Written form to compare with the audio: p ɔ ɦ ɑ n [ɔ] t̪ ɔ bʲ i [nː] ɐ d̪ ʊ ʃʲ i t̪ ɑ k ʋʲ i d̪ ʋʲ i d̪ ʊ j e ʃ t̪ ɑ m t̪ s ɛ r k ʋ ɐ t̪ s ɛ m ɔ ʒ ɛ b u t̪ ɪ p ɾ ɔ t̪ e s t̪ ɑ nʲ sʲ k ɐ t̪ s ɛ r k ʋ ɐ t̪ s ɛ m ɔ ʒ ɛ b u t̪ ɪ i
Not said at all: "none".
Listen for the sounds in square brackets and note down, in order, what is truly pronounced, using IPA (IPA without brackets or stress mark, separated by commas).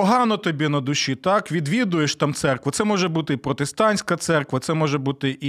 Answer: ɔ, n